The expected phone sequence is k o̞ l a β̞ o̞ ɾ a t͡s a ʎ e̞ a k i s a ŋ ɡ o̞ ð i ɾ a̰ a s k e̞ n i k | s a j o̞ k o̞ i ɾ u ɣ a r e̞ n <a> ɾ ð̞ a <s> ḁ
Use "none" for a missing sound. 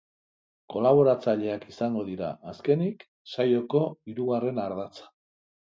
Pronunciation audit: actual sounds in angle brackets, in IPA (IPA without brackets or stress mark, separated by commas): a, t͡s